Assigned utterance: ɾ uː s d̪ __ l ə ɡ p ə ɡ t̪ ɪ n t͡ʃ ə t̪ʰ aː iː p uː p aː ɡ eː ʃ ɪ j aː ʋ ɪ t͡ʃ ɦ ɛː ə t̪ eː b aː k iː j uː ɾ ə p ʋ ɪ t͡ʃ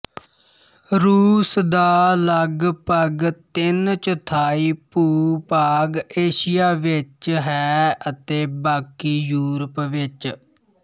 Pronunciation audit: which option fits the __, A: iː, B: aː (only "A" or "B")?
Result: B